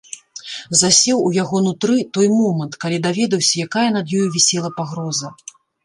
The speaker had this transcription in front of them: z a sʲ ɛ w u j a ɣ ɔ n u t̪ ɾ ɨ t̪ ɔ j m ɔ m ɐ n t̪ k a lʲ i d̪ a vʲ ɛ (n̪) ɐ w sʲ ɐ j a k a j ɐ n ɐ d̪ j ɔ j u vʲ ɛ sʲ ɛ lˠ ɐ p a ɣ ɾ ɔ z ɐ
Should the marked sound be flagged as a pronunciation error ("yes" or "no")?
yes